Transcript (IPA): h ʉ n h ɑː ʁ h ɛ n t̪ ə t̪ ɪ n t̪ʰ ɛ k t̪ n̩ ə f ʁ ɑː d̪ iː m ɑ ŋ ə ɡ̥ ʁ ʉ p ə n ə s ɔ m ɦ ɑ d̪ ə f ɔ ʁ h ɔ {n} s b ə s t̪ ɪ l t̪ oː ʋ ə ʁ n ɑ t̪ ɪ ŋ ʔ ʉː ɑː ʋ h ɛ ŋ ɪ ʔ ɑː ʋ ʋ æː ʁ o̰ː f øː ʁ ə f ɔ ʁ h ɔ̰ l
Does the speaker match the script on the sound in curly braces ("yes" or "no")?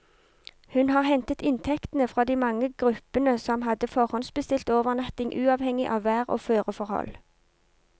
yes